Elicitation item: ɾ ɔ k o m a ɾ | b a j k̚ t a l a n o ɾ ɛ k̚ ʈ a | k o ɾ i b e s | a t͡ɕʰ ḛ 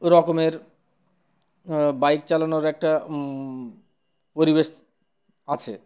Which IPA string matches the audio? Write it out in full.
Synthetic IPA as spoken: ɾ ɔ k o m e ɾ | b a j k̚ t͡ɕ a l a n o ɾ ɛ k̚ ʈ a | p o ɾ i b e ʃ | a t͡ɕʰ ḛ